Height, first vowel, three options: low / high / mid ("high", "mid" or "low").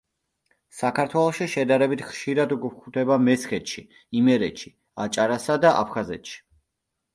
low